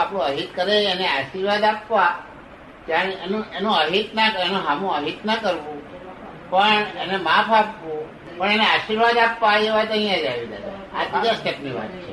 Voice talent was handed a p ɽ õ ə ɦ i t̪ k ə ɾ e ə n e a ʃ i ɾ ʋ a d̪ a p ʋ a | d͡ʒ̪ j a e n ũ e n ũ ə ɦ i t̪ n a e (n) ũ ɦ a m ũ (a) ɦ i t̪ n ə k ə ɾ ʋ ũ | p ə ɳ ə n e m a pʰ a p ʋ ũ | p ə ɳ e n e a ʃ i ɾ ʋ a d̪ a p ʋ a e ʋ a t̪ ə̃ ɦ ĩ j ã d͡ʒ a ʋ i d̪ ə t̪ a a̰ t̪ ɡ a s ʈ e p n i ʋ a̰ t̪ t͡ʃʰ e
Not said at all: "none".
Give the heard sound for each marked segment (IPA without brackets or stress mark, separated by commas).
n, ə